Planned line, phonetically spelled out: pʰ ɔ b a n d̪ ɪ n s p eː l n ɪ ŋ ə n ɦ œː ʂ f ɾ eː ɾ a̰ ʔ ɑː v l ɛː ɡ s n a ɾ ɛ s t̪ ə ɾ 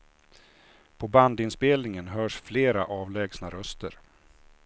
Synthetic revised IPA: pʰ ɔ b a n d̪ ɪ n s p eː l n ɪ ŋ ə n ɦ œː ʂ f l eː ɾ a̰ ʔ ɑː v l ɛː ɡ s n a ɾ œ s t̪ ə ɾ